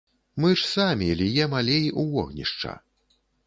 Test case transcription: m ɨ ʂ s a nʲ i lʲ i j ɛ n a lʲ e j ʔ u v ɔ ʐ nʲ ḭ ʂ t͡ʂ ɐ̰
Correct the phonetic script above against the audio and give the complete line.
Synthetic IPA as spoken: m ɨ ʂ s a mʲ i lʲ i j ɛ m a lʲ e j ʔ u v ɔ ɣ nʲ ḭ ʂ t͡ʂ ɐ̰